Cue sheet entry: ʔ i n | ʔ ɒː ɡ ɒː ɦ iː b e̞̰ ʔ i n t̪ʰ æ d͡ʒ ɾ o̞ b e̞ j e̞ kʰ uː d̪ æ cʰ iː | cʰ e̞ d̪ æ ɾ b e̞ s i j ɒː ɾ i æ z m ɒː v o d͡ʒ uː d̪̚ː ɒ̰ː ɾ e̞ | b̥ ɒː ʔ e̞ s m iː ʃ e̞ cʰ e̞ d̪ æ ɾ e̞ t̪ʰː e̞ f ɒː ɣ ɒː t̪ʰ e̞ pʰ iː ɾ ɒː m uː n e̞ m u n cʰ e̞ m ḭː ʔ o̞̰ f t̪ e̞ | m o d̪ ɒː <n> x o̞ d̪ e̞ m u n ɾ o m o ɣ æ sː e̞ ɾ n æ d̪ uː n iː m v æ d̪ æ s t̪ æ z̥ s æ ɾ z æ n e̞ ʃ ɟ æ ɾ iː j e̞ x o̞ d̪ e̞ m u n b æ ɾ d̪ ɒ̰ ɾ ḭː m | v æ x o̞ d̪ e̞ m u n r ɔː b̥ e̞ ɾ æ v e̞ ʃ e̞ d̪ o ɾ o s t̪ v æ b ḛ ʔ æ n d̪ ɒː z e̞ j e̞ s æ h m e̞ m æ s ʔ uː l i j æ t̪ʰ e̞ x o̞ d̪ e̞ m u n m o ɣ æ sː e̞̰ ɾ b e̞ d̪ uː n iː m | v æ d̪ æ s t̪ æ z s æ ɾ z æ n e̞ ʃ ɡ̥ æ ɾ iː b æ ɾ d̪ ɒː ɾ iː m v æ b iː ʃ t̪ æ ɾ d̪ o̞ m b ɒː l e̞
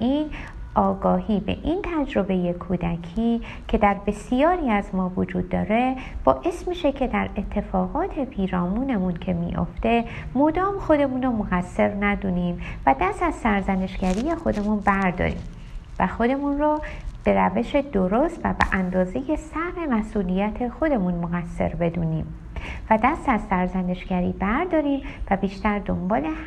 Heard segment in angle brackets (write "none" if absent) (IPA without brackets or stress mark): m